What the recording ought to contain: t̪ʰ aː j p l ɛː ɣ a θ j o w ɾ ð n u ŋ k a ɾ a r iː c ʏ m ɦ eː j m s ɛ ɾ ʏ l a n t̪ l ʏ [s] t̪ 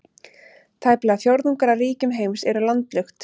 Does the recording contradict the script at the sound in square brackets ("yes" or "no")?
yes